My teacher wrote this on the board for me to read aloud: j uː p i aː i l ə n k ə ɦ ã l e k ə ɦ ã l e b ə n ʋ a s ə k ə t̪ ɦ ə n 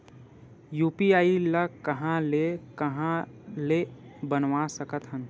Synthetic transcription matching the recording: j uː p i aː i l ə k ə ɦ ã l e k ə ɦ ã l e b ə n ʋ a s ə k ə t̪ ɦ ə n